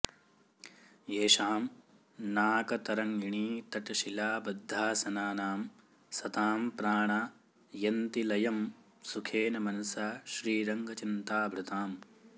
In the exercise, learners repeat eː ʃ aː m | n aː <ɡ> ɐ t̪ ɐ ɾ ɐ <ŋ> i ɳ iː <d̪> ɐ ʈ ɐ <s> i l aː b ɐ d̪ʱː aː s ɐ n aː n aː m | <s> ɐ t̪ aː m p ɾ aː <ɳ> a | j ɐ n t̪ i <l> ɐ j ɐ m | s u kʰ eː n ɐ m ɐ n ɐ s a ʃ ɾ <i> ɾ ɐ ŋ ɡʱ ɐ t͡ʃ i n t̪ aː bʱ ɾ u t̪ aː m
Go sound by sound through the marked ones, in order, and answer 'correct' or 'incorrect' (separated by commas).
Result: incorrect, correct, incorrect, incorrect, correct, correct, correct, incorrect